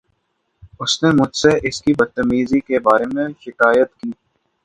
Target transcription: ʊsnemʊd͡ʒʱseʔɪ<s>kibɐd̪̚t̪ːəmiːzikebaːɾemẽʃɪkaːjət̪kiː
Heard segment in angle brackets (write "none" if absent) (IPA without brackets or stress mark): s